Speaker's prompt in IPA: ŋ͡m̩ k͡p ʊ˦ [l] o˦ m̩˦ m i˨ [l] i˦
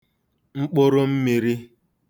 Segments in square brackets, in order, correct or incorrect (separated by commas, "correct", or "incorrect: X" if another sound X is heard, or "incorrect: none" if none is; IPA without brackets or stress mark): incorrect: ɾ, incorrect: ɾ